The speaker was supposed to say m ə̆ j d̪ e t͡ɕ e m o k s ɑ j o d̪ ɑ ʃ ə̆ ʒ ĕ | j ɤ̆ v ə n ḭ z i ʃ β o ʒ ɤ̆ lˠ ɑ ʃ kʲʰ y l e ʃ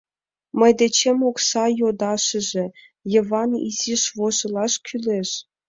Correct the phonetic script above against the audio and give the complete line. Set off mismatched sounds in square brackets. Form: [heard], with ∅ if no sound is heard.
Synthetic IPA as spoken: m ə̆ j d̪ e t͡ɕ e m o k s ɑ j o d̪ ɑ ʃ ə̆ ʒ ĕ | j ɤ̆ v [ɑ] n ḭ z i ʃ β o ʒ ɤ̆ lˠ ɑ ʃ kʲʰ y l e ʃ